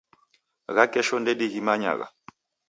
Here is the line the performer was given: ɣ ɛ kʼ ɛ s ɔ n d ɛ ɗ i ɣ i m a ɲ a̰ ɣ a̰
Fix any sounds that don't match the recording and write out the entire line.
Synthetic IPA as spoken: ɣ a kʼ ɛ ʃ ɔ n d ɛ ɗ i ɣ i m a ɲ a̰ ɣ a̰